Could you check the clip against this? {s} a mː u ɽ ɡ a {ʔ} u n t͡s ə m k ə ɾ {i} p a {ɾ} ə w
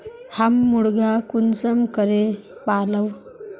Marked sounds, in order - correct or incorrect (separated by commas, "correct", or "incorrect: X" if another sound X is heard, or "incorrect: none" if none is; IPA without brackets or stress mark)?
incorrect: h, incorrect: k, incorrect: e, incorrect: l